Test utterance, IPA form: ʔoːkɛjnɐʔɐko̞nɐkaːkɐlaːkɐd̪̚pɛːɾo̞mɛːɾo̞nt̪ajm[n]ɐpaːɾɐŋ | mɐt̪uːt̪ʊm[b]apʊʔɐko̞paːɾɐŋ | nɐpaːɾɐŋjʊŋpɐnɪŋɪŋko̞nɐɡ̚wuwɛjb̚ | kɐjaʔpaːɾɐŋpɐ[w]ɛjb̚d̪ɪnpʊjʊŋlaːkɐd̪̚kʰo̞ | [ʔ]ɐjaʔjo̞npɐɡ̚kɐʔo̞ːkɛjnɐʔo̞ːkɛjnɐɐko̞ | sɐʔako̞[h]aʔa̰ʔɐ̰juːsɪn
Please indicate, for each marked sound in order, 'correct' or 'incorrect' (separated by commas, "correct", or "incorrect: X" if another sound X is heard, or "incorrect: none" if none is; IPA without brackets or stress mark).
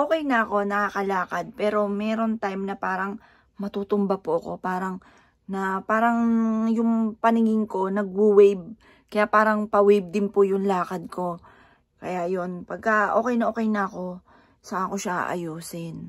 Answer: correct, correct, correct, incorrect: k, incorrect: ʃ